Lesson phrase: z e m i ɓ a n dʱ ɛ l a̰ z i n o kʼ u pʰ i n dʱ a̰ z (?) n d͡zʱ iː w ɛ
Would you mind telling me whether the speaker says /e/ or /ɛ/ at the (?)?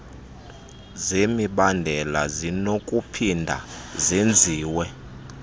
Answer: e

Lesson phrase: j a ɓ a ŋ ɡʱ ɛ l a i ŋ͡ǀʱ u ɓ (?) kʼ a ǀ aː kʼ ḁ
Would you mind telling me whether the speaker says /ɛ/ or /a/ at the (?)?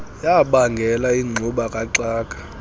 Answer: a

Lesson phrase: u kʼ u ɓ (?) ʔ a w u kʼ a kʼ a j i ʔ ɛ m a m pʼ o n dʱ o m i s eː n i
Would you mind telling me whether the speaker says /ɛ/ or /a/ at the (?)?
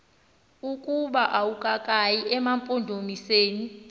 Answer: a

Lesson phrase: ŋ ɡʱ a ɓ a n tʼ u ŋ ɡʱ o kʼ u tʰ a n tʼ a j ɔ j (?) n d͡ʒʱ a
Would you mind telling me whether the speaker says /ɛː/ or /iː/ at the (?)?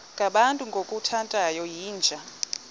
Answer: iː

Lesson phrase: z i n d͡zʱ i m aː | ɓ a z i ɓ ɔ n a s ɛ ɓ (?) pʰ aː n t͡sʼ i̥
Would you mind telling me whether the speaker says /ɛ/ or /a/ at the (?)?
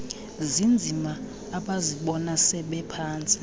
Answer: ɛ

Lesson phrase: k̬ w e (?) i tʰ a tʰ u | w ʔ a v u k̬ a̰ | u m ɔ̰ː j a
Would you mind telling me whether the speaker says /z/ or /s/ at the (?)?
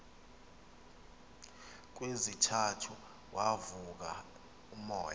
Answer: z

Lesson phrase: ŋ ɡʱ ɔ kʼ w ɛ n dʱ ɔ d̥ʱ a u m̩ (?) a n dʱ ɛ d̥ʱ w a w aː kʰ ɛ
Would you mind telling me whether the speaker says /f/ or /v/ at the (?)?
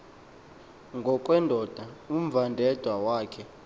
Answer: v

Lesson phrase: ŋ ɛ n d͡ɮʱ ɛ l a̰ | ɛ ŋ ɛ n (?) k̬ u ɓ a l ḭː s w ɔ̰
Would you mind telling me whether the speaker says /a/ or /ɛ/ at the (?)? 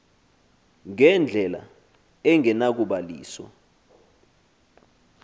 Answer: a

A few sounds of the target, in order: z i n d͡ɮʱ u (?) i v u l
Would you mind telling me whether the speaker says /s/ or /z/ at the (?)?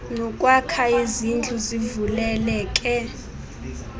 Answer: z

